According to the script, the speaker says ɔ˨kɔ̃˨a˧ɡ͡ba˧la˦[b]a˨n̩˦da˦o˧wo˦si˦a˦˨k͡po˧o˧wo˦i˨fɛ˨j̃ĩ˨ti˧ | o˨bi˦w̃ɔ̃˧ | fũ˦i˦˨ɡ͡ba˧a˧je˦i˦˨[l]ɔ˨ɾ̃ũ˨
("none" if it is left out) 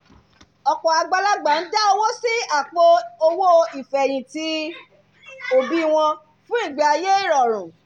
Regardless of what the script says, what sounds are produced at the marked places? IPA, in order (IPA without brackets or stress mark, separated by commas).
ɡ͡b, ɾ